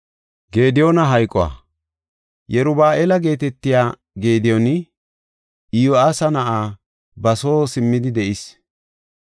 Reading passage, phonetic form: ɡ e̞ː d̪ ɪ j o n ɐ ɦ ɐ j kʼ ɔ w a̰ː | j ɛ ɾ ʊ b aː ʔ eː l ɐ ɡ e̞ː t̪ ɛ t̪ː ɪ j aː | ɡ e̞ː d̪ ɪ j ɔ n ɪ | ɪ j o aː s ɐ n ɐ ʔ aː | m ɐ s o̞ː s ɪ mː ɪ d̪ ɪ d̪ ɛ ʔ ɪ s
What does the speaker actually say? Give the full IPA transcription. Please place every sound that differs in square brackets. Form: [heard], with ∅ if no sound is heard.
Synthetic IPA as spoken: ɡ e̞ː d̪ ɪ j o n ɐ ɦ ɐ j kʼ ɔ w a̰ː | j ɛ ɾ ʊ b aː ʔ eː l ɐ ɡ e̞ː t̪ ɛ t̪ː ɪ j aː | ɡ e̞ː d̪ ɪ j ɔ n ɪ | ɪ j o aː s ɐ n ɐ ʔ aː | [b] ɐ s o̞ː s ɪ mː ɪ d̪ ɪ d̪ ɛ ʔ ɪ s